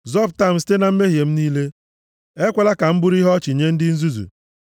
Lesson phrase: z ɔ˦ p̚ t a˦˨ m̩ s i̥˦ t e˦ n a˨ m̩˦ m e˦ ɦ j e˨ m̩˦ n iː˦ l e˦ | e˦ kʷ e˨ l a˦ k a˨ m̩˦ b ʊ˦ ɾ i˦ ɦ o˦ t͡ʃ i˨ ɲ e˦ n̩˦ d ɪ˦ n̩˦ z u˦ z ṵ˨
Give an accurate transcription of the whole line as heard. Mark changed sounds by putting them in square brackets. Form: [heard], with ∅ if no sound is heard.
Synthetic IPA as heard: z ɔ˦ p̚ t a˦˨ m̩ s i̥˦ t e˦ n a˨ m̩˦ m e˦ ɦ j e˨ m̩˦ n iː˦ l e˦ | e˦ kʷ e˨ l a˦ k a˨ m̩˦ b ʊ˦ ɾ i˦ ɦ [ɔ˦] t͡ʃ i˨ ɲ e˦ n̩˦ d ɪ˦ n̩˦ z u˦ z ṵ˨